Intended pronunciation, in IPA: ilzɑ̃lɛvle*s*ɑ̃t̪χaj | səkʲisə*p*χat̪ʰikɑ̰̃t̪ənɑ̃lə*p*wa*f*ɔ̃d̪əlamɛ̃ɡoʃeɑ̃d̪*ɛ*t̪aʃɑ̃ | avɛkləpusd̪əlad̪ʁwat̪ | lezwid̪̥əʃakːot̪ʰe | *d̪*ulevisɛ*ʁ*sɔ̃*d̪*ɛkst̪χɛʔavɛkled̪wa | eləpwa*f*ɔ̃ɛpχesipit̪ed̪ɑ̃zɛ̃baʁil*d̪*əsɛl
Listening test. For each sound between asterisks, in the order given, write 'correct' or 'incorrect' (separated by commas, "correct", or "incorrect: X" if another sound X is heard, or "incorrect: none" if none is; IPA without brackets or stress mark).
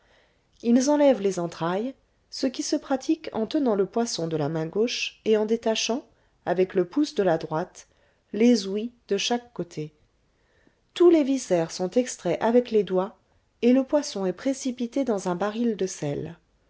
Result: incorrect: z, correct, correct, incorrect: s, incorrect: e, incorrect: t̪, correct, incorrect: t̪, incorrect: s, correct